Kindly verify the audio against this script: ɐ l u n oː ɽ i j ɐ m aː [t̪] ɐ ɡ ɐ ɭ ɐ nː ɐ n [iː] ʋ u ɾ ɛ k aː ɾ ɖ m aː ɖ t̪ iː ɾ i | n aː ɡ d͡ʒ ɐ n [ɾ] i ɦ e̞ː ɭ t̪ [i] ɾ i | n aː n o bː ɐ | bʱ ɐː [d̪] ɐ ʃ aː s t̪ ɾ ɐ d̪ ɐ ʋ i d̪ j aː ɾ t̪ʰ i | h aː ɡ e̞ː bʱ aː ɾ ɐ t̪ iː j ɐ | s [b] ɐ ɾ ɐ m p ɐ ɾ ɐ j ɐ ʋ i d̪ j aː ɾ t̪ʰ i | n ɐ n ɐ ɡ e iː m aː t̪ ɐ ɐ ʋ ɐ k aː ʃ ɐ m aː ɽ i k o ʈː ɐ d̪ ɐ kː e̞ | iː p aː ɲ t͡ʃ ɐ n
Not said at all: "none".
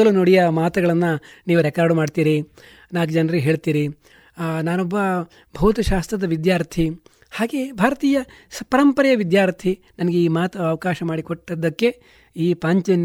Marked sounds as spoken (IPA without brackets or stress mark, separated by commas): t̪, iː, ɾ, iː, t̪, p